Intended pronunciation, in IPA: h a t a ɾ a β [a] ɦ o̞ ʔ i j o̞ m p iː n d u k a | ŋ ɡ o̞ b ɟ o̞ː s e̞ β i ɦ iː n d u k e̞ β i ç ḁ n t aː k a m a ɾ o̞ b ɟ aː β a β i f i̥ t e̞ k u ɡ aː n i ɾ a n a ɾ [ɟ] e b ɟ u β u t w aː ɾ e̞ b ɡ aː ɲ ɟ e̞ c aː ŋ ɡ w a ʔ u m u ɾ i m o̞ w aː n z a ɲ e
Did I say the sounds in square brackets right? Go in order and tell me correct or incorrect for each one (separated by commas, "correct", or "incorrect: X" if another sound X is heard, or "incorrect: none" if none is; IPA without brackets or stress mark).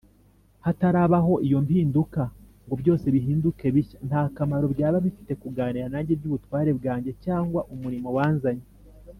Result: correct, correct